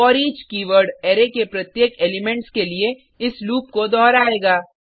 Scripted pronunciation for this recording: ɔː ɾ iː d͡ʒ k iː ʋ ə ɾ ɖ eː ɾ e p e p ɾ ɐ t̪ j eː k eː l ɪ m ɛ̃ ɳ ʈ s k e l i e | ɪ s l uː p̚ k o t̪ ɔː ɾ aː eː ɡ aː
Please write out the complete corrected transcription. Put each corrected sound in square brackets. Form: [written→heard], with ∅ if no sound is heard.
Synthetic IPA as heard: ɔː ɾ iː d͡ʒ k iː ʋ ə ɾ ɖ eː ɾ e [p→k] e p ɾ ɐ t̪ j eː k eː l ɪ m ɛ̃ ɳ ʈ s k e l i e | ɪ s l uː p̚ k o [t̪→d̪] ɔː ɾ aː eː ɡ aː